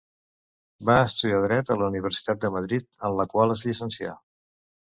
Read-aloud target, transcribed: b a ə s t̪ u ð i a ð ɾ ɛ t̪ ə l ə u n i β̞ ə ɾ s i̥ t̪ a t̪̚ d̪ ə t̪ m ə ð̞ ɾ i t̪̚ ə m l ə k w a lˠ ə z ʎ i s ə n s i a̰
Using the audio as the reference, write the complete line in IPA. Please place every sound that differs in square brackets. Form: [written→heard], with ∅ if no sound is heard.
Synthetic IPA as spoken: b a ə s t̪ u ð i a ð ɾ ɛ t̪ ə l ə u n i β̞ ə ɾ s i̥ t̪ a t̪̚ d̪ ə [t̪→∅] m ə ð̞ ɾ i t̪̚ ə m l ə k w a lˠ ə z ʎ i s ə n s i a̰